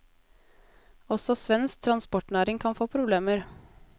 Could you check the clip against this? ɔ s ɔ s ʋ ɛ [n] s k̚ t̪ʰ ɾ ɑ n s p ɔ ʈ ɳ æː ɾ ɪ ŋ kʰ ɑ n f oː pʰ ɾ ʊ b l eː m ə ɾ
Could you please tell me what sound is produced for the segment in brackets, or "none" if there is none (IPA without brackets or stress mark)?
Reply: n